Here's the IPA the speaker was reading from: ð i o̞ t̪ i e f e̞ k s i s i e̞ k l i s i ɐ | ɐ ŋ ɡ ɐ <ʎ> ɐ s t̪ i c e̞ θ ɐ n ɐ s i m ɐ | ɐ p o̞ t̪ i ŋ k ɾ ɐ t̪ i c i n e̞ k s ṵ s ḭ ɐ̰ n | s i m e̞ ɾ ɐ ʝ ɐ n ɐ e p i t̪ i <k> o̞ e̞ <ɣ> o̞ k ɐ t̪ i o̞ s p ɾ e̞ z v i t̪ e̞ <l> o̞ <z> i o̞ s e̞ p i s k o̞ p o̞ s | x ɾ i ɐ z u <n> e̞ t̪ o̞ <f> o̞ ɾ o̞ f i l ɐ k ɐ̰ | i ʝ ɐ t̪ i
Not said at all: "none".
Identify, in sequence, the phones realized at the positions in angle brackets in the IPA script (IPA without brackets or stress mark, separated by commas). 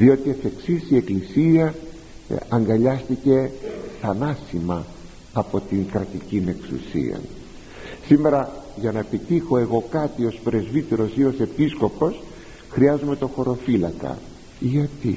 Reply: ʎ, x, ɣ, ɾ, s, m, x